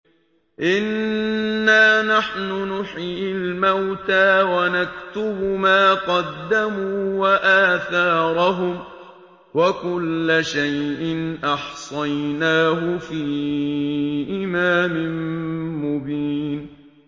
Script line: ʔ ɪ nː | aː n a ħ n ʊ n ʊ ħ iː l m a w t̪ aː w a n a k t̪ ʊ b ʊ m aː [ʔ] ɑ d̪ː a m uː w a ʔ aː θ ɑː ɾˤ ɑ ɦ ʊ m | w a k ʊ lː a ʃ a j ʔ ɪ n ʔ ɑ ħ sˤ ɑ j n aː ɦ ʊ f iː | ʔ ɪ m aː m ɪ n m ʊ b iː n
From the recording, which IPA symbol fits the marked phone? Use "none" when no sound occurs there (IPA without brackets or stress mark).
q